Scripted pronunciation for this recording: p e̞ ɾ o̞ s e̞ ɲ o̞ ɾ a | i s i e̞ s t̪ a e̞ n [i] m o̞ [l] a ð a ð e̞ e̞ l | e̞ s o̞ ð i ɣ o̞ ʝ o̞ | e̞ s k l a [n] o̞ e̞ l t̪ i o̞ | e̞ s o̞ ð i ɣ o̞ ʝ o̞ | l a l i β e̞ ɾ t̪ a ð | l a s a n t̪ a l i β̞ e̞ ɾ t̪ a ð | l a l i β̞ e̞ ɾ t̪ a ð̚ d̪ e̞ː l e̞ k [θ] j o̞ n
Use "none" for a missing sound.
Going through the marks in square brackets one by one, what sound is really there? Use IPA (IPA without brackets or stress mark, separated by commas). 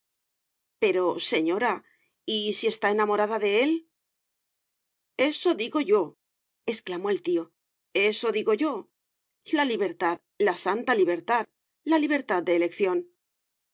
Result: a, ɾ, m, θ